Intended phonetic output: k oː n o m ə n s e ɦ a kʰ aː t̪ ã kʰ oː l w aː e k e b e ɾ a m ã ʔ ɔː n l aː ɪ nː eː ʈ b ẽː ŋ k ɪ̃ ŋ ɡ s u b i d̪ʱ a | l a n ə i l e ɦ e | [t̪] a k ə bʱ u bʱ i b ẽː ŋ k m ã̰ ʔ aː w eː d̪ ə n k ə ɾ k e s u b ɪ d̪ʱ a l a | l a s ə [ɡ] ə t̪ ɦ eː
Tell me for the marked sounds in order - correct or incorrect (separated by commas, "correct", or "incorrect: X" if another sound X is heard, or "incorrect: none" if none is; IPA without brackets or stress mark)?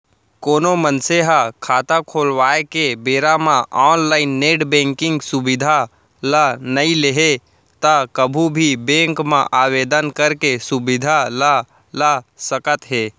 correct, incorrect: k